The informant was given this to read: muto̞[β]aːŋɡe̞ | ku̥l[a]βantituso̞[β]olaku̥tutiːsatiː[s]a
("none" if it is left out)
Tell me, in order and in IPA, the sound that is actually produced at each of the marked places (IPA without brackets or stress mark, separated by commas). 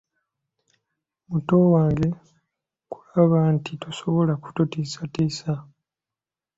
w, a, β, s